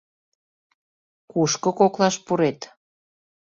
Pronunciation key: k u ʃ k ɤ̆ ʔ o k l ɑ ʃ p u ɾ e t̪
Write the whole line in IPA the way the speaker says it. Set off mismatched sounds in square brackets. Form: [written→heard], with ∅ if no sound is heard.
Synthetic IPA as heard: k u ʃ k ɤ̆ [ʔ→k] o k l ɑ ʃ p u ɾ e t̪